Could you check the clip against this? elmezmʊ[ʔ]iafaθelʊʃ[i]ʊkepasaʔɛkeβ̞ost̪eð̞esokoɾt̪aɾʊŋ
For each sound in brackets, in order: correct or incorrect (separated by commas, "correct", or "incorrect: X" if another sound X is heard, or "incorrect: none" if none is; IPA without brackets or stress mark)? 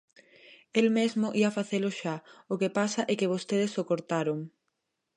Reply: correct, incorrect: a